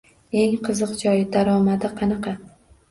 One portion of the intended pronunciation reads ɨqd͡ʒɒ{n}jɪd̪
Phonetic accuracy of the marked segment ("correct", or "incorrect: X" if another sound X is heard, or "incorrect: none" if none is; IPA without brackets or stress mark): incorrect: none